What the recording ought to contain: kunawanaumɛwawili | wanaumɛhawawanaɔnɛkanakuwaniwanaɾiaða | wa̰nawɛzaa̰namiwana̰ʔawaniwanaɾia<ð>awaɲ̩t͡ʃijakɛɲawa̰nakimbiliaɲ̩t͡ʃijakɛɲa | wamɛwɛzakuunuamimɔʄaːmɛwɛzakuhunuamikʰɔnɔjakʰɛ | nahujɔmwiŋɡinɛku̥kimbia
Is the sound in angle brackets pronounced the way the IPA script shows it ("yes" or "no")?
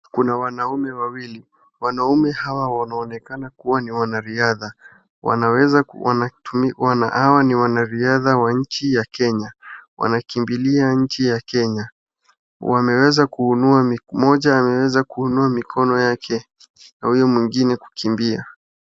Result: yes